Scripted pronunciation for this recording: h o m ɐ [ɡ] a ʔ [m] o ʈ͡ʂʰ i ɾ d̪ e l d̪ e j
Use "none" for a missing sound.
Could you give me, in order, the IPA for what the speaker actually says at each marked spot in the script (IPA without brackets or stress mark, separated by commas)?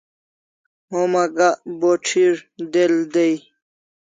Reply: ɡ, b